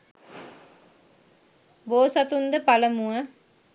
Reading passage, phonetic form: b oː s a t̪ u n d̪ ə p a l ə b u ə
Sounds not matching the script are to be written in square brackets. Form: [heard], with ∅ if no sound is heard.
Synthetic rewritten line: b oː s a t̪ u n d̪ ə p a l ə [m] u ə